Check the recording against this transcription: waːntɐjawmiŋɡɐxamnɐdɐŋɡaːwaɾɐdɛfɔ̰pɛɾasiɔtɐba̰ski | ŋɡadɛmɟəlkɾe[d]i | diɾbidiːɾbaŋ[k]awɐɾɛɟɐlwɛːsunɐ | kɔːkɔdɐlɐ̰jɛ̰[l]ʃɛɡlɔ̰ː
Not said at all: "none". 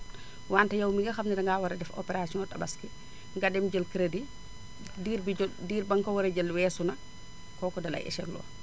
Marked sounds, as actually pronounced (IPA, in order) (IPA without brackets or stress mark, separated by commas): d, k, none